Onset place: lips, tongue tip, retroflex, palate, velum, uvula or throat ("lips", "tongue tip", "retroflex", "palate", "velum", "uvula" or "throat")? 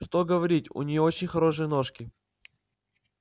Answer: retroflex